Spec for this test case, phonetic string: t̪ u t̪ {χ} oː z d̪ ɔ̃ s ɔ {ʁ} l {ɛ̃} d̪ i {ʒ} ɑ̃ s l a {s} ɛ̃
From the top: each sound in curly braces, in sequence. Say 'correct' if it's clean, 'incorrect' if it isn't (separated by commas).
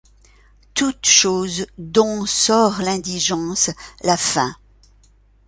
incorrect, correct, correct, correct, incorrect